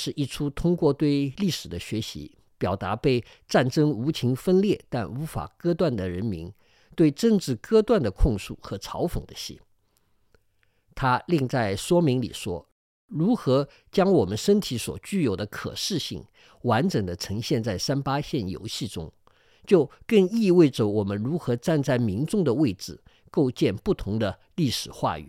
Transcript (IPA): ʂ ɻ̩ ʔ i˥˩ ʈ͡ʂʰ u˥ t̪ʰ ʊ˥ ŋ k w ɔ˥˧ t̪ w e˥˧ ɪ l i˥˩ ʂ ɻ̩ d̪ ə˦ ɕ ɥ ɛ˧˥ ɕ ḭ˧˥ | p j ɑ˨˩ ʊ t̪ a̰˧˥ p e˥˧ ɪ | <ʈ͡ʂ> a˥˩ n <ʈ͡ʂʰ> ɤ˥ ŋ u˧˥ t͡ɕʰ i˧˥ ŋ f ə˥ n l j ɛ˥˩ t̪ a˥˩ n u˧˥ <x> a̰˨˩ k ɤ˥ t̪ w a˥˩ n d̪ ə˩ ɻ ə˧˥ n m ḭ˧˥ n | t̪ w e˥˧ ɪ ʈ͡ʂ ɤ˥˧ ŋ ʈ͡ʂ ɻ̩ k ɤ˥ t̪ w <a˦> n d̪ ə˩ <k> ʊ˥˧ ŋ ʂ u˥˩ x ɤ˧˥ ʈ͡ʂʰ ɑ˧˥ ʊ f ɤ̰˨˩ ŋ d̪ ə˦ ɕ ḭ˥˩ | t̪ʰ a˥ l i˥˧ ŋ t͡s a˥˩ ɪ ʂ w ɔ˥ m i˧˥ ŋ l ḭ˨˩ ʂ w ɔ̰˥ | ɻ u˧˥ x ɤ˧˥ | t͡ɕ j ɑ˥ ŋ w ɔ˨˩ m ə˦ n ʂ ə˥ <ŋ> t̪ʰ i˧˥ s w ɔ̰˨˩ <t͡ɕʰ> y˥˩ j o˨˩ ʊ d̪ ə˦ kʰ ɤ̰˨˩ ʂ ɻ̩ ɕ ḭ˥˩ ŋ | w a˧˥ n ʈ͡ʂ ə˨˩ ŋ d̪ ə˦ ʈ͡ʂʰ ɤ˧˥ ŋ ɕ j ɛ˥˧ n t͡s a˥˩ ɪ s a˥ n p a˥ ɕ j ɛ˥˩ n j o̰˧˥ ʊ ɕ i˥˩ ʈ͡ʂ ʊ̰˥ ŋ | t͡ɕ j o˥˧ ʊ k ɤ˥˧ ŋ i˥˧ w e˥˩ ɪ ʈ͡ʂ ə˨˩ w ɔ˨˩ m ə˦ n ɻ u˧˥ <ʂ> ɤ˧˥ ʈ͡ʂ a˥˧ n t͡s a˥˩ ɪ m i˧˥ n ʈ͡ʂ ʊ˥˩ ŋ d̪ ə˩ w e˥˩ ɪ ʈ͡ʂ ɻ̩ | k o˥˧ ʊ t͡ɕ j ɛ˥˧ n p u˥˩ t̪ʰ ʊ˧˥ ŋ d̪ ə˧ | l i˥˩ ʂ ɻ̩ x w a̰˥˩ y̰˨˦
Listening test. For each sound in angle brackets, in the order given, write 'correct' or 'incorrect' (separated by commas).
correct, incorrect, incorrect, incorrect, incorrect, incorrect, incorrect, incorrect